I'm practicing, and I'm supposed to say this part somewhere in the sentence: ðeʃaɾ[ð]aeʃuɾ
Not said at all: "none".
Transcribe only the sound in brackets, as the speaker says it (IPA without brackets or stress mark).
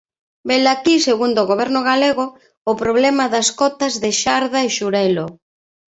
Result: ð